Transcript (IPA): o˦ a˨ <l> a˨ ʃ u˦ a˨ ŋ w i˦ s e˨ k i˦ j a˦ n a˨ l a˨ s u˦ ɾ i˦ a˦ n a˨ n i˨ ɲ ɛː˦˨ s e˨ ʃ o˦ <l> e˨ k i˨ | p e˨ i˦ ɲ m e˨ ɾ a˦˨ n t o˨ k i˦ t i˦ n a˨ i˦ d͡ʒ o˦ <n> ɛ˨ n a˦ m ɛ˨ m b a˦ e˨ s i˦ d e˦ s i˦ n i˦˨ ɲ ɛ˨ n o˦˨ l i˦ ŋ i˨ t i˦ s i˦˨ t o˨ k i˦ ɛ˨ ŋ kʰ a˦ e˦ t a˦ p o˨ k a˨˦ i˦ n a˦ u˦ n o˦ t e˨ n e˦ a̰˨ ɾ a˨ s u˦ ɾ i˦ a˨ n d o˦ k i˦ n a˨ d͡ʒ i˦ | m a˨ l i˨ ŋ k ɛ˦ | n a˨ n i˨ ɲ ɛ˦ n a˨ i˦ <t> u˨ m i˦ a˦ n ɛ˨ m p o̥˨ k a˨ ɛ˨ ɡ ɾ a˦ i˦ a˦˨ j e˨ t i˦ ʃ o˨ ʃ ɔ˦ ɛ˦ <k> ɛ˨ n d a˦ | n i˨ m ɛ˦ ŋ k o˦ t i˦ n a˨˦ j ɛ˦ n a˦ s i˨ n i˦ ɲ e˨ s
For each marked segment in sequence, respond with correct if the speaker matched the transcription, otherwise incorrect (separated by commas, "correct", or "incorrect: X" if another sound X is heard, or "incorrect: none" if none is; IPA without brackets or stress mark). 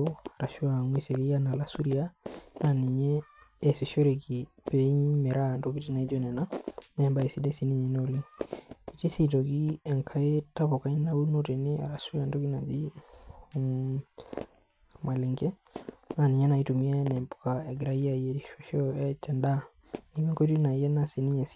incorrect: ɾ, incorrect: ɾ, correct, correct, incorrect: t